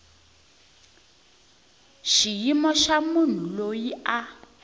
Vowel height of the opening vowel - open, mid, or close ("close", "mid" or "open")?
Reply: close